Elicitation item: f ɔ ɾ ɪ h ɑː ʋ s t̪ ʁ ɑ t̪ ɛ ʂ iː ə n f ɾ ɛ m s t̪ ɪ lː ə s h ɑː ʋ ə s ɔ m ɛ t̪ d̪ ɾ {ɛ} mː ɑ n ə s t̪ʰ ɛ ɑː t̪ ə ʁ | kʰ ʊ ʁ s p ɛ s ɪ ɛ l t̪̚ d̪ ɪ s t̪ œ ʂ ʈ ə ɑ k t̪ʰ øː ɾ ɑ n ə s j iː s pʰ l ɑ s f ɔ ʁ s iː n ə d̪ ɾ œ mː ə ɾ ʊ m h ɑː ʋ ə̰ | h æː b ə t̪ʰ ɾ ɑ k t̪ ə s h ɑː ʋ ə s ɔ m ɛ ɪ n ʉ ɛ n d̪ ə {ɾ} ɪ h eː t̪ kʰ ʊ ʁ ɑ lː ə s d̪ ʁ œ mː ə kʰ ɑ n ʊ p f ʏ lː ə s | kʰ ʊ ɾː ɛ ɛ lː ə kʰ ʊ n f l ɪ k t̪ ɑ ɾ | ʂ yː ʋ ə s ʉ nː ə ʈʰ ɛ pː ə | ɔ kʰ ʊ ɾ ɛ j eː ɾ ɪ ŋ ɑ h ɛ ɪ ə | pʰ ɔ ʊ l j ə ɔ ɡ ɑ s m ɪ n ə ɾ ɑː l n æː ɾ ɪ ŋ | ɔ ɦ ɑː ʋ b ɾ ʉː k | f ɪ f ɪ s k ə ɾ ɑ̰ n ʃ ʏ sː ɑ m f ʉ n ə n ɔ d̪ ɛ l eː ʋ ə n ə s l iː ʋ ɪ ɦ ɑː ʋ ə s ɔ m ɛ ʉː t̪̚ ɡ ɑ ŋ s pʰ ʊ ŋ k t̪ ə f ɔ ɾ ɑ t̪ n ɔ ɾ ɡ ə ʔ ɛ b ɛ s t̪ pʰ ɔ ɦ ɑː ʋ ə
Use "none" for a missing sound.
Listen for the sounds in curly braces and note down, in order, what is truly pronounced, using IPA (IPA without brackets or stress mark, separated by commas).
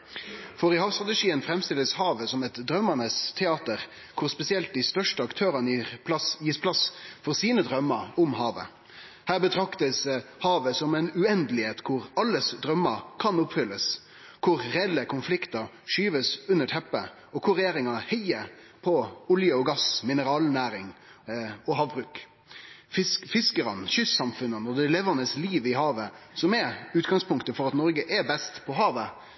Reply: œ, l